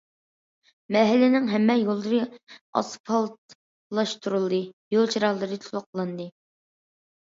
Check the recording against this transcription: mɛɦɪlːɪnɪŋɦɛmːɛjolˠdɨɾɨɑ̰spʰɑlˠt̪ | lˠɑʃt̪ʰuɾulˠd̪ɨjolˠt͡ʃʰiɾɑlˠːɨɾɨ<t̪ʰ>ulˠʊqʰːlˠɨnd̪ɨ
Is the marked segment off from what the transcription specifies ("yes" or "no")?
no